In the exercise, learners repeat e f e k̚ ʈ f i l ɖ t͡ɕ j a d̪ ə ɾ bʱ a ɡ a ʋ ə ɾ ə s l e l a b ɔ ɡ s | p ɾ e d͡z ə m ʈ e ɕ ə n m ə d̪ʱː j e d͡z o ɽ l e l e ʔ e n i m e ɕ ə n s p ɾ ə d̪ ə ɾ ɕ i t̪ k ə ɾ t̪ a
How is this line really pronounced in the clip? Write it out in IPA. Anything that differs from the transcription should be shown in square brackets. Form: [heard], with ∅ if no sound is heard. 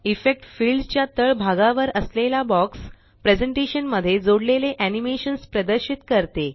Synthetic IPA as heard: [i] f e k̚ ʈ f i l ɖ t͡ɕ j a [t̪] ə [ɭ] bʱ a ɡ a ʋ ə ɾ ə s l e l a b ɔ [k] s | p ɾ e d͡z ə [ɳ] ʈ e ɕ ə n m ə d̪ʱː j e d͡z o ɽ l e l e ʔ [æ] n i m e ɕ ə n s p ɾ ə d̪ ə ɾ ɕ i t̪ k ə ɾ t̪ [e]